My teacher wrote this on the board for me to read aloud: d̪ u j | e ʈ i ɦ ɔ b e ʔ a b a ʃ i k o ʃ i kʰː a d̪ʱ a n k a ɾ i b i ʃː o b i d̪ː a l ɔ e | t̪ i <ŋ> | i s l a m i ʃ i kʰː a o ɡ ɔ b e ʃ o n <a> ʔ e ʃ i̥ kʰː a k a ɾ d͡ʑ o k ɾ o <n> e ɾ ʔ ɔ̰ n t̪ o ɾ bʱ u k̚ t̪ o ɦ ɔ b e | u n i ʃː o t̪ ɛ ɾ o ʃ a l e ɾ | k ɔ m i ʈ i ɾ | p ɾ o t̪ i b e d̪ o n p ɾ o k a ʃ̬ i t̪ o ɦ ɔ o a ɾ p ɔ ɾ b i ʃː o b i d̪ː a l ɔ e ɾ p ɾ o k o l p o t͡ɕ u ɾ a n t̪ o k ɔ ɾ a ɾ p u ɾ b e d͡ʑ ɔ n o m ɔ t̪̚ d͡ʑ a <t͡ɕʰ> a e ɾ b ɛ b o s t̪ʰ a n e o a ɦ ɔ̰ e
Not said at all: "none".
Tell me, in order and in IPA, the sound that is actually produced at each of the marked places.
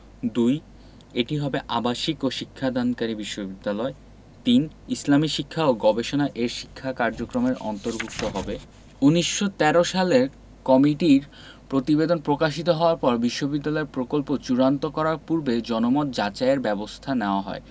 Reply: n, a, m, t͡ɕ

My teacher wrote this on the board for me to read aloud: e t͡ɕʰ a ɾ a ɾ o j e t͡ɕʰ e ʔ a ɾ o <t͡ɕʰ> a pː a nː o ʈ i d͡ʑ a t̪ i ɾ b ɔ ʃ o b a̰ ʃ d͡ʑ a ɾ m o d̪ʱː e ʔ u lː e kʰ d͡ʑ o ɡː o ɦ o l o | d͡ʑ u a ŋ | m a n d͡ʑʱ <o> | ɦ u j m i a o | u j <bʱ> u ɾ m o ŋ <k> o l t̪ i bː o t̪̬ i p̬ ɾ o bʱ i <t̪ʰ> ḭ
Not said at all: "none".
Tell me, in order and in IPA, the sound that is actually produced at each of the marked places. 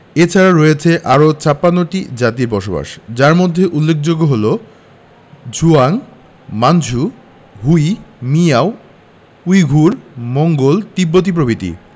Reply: t͡ɕ, u, ɡʱ, ɡ, t̪

